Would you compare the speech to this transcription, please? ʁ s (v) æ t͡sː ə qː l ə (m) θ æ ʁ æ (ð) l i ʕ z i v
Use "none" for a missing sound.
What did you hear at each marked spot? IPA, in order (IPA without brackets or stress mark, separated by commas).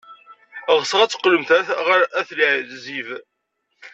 ʁ, m, θ